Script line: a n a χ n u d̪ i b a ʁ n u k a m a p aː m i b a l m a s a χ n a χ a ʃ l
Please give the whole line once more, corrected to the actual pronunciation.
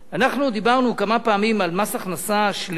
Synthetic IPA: a n a χ n u d̪ i b a ʁ n u k a m a p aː m i m a l m a s a χ n a s a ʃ l